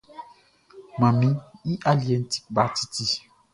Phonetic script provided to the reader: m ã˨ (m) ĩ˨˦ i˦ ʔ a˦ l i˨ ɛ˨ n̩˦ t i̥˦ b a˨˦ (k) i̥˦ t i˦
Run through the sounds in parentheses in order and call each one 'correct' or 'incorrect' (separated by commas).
correct, incorrect